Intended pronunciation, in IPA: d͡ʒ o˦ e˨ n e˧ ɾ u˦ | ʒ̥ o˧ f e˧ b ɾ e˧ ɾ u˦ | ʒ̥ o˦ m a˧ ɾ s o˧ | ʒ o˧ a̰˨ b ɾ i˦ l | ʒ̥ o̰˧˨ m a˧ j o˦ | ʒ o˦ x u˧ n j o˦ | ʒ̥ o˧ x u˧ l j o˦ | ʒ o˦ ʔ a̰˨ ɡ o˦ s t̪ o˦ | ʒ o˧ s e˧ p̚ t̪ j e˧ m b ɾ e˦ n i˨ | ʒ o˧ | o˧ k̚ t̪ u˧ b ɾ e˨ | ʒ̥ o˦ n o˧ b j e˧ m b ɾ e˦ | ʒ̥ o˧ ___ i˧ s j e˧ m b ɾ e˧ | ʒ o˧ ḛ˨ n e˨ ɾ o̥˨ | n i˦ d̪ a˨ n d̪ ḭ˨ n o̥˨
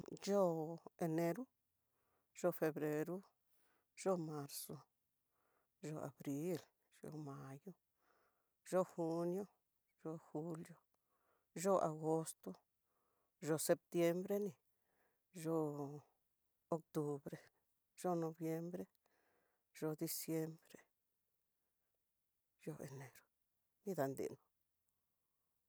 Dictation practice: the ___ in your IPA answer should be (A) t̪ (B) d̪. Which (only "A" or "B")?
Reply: B